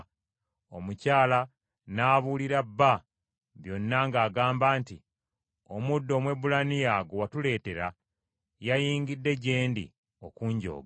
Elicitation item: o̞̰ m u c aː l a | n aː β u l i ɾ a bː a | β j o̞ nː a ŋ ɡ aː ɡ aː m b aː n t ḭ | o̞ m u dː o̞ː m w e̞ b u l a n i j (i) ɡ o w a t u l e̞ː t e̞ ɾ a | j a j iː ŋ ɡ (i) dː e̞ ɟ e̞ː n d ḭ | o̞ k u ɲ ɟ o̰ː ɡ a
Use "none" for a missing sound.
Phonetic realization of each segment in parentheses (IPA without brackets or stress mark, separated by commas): a, i